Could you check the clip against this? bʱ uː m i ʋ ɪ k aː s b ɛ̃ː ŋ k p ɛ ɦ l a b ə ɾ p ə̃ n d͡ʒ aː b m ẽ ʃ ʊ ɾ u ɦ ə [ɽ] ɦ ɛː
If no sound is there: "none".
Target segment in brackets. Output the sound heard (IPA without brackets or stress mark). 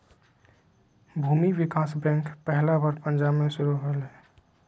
l